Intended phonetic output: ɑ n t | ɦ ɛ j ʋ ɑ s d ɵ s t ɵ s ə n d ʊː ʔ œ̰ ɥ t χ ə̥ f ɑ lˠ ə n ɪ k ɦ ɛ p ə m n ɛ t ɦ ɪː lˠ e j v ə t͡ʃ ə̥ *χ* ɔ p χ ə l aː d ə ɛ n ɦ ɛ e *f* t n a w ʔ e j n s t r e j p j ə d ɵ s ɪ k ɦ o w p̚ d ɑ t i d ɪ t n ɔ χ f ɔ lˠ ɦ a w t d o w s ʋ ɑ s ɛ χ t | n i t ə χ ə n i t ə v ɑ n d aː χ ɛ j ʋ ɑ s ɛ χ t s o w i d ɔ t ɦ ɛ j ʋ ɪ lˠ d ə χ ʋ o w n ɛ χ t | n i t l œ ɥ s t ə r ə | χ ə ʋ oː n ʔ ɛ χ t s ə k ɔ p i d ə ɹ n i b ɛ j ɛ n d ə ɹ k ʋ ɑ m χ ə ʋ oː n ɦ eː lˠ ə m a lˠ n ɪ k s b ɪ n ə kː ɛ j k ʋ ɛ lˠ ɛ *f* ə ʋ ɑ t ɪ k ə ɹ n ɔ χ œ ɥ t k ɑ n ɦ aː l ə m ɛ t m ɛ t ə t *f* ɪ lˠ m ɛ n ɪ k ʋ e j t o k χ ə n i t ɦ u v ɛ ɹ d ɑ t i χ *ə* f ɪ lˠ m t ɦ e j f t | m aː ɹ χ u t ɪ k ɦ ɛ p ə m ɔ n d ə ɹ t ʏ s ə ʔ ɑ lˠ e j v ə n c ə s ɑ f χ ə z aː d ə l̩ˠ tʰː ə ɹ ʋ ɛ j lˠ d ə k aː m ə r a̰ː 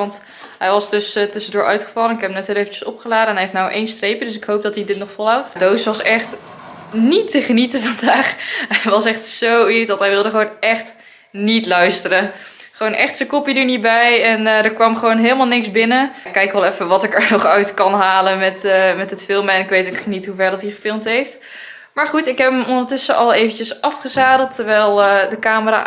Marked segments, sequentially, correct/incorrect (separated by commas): incorrect, correct, correct, correct, correct